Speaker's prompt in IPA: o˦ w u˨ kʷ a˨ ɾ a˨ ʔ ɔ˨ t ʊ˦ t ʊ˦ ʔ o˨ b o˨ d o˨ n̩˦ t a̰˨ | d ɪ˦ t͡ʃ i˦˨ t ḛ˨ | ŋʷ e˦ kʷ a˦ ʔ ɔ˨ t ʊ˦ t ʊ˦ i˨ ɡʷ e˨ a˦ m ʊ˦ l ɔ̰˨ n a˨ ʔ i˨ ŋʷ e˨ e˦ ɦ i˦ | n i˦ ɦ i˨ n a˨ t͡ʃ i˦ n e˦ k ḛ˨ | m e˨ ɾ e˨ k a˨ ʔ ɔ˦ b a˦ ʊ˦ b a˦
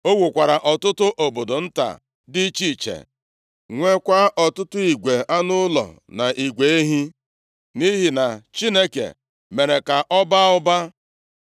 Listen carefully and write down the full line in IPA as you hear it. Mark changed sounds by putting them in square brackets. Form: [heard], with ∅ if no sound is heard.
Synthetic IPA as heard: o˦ w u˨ kʷ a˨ ɾ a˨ ʔ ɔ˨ t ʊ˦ t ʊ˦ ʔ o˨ b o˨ d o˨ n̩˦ t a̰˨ | d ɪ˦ t͡ʃ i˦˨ [t͡ʃ] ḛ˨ | ŋʷ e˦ kʷ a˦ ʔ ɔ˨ t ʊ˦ t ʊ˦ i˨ ɡʷ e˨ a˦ [n] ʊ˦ l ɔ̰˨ n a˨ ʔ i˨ [ɡʷ] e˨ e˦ ɦ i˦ | n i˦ ɦ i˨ n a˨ t͡ʃ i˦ n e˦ k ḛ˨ | m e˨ ɾ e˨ k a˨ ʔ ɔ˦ b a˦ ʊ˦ b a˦